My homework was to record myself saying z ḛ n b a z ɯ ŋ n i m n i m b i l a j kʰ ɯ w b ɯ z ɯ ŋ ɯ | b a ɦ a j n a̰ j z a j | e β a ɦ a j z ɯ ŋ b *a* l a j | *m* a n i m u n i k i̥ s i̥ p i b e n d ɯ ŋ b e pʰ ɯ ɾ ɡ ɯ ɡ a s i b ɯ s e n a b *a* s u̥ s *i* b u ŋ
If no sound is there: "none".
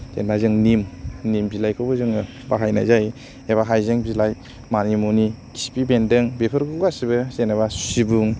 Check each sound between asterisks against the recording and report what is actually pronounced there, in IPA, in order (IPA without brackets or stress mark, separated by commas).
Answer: i, m, a, i